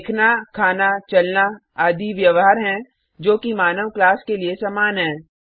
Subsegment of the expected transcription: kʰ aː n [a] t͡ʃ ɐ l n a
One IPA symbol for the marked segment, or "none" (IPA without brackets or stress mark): a